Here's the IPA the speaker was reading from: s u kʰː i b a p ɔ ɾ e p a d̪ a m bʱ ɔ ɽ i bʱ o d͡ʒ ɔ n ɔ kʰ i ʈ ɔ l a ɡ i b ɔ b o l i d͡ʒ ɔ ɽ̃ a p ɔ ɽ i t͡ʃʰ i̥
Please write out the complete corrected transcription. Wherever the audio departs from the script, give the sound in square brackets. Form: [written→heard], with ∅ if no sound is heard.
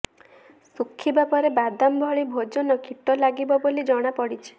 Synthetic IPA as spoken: s u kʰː i b a p ɔ ɾ e [p→b] a d̪ a m bʱ ɔ [ɽ→ɭ] i bʱ o d͡ʒ ɔ n ɔ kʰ i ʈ ɔ l a ɡ i b ɔ b o l i d͡ʒ ɔ ɽ̃ a p ɔ ɽ i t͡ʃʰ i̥